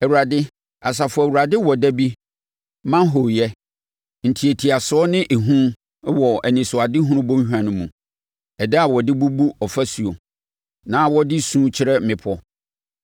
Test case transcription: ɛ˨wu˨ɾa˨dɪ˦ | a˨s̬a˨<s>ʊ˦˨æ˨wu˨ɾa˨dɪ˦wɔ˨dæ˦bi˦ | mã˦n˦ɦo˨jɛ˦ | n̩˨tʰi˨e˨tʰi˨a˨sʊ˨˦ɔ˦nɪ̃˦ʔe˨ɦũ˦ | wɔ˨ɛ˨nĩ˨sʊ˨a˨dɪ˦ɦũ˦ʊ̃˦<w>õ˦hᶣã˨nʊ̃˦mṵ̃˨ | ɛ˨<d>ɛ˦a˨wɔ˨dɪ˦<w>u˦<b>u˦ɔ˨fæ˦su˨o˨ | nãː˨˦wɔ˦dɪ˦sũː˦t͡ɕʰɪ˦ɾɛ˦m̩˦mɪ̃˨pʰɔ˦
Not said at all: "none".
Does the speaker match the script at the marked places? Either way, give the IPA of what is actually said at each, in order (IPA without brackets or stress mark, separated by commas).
f, b, d, b, b